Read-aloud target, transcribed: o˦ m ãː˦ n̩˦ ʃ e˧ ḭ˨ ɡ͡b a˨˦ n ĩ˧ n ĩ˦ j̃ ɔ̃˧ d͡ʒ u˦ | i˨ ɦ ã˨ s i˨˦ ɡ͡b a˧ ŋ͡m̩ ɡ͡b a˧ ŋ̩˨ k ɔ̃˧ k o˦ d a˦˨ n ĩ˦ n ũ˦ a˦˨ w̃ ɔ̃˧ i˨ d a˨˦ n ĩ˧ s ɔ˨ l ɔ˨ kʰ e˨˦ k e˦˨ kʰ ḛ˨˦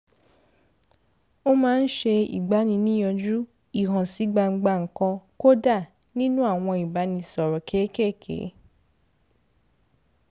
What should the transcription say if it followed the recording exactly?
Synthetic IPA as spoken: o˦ m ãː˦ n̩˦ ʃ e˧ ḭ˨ ɡ͡b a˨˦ n ĩ˧ n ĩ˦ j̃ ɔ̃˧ d͡ʒ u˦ | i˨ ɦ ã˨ s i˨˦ ɡ͡b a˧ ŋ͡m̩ ɡ͡b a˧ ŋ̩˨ k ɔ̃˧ k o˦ d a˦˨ n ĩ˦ n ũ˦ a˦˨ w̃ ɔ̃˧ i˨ b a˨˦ n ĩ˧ s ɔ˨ ɾ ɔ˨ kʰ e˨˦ k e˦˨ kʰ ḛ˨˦

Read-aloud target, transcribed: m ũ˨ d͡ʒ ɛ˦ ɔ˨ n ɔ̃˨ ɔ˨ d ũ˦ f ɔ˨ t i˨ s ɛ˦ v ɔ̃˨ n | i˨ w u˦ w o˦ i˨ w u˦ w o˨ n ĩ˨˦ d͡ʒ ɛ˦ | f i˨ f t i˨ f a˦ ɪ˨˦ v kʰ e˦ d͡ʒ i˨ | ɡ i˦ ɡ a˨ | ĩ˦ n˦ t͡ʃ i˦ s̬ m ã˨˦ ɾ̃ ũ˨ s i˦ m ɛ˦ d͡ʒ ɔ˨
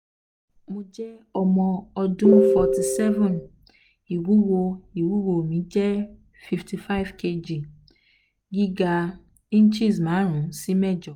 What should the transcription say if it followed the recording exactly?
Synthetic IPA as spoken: m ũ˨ d͡ʒ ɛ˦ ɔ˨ m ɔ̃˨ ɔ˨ d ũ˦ f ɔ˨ t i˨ s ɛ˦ v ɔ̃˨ n | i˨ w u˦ w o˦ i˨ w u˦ w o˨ m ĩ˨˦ d͡ʒ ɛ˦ | f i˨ f t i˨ f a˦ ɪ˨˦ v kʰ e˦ d͡ʒ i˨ | ɡ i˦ ɡ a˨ | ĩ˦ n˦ t͡ʃ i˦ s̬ m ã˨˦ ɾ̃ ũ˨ s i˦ m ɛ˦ d͡ʒ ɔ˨

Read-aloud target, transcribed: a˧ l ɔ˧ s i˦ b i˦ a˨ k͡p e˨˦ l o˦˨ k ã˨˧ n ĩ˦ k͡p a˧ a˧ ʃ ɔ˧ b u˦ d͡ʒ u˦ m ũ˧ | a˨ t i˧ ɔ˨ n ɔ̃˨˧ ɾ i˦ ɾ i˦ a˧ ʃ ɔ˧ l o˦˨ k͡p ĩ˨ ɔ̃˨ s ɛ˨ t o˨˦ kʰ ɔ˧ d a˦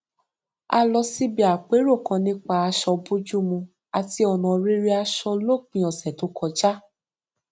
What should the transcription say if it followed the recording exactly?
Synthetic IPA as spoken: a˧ l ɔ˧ s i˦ b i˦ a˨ k͡p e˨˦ ɾ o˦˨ k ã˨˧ n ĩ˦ k͡p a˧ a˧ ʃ ɔ˧ b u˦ d͡ʒ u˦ m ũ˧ | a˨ t i˧ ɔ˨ n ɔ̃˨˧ ɾ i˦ ɾ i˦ a˧ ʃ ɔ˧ l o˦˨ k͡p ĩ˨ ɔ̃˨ s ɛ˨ t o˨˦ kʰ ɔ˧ d͡ʒ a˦

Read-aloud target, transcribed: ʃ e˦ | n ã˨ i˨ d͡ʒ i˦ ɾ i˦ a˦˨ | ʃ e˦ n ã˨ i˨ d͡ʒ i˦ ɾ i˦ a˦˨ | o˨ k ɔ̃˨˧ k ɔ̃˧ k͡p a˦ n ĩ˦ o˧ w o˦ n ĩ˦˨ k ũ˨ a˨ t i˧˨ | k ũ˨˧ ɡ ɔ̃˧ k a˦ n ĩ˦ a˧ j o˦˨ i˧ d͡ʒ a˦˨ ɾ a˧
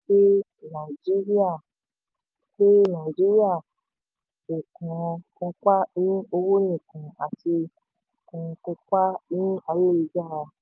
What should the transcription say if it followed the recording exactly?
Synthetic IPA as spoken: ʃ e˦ | n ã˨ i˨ d͡ʒ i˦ ɾ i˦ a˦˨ | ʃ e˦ n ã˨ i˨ d͡ʒ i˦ ɾ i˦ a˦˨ | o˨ k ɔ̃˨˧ k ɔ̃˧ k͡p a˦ n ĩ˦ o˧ w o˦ n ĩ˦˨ k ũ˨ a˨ t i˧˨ | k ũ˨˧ k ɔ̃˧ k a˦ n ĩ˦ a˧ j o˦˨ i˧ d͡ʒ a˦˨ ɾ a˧

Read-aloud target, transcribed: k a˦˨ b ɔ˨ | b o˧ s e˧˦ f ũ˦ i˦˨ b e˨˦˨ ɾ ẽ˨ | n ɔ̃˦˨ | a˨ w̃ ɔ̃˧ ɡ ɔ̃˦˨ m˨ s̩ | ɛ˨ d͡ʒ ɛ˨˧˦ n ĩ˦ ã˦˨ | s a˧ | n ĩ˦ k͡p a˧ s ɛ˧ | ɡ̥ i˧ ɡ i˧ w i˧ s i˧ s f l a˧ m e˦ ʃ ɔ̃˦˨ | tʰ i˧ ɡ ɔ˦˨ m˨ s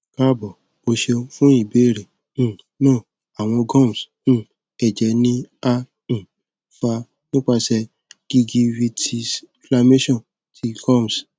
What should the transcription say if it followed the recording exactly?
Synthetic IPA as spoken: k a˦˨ b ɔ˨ | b o˧ ʃ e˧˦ f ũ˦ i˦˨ b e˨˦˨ ɾ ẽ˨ | n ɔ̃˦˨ | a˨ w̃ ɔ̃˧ ɡ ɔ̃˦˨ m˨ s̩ | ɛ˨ d͡ʒ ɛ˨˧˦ n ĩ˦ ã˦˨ | f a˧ | n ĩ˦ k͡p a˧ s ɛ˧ | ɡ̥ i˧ ɡ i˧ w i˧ t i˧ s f l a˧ m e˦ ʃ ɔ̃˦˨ | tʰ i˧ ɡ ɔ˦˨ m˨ s

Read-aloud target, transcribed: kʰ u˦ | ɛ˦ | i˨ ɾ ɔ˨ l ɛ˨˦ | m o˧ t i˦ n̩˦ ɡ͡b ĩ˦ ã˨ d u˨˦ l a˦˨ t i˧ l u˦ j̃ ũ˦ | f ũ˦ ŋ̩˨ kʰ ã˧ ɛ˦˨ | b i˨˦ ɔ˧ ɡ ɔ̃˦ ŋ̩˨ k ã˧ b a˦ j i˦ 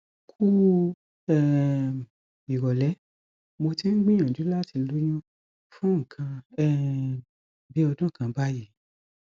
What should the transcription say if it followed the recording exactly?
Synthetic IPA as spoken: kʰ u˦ | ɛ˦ | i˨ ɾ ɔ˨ l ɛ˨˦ | m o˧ t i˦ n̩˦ ɡ͡b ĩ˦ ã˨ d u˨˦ l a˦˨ t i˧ l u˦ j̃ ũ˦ | f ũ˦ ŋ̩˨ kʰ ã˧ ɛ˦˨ | b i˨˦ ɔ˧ d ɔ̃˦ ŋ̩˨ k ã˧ b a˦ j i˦

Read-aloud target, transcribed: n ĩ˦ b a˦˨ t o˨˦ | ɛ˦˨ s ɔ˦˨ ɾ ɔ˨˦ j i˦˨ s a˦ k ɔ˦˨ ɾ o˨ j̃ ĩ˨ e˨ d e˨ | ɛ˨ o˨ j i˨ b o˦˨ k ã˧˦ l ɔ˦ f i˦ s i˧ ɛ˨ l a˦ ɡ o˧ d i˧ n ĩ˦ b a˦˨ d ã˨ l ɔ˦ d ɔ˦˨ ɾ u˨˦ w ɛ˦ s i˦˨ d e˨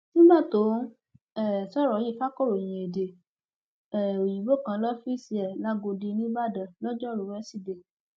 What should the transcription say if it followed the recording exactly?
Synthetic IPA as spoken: n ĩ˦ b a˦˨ t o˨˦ | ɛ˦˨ s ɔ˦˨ ɾ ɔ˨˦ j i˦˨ f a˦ k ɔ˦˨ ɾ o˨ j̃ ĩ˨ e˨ d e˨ | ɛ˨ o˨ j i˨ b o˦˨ k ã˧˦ l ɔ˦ f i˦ s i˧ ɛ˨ l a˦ ɡ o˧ d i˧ n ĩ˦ b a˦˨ d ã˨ l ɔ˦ d͡ʒ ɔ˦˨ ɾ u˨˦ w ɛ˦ s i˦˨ d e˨

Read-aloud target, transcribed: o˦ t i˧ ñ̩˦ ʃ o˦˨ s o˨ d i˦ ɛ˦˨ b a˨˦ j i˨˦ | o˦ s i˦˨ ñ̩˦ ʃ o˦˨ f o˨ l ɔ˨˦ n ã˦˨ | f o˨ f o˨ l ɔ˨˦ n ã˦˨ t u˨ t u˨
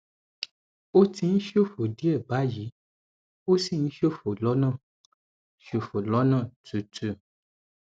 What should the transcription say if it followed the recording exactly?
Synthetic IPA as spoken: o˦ t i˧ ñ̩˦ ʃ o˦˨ f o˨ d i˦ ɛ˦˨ b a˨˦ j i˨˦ | o˦ s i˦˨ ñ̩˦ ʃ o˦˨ f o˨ l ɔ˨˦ n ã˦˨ | ʃ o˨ f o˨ l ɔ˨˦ n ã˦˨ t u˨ t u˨

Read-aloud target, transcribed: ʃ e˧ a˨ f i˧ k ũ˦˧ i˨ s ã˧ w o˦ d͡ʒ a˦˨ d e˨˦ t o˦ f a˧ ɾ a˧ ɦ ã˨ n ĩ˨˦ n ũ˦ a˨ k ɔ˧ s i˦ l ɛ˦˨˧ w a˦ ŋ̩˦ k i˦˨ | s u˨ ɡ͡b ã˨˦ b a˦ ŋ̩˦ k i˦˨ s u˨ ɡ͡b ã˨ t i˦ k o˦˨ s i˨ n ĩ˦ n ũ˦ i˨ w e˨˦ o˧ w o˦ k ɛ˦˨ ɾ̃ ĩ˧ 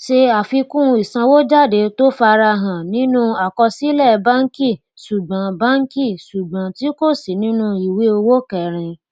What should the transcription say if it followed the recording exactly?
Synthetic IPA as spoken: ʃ e˧ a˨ f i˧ k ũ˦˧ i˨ s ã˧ w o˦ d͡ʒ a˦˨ d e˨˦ t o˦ f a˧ ɾ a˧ ɦ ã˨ n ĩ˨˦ n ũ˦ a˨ k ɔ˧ s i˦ l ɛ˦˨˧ b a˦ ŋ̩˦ k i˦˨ | s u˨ ɡ͡b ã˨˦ b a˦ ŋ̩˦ k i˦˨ s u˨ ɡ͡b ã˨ t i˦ k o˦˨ s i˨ n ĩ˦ n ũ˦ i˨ w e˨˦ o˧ w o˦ k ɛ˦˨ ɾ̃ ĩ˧

